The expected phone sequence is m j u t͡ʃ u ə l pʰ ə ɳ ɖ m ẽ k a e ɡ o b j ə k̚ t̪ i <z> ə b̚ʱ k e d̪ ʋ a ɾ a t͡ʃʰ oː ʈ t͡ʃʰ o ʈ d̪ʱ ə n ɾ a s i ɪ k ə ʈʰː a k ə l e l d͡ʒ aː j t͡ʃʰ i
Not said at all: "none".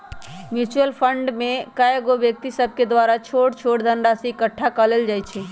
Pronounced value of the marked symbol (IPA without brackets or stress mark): s